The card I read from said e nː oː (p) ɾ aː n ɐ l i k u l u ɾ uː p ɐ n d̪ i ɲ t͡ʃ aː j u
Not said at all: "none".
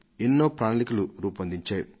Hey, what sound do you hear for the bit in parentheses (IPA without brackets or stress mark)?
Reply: p